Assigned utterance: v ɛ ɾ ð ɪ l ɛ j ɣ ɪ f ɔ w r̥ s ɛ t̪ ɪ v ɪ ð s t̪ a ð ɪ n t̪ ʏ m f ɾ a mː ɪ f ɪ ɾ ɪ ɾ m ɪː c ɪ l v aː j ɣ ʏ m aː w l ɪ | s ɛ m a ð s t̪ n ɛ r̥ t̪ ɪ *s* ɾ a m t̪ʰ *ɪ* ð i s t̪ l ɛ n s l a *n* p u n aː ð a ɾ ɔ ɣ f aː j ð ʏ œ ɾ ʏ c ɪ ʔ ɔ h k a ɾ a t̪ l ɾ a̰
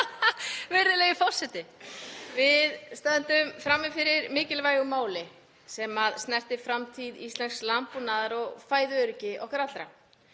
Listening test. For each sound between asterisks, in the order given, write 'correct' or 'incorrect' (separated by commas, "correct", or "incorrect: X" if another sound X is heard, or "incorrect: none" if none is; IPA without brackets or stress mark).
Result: incorrect: f, incorrect: i, incorrect: m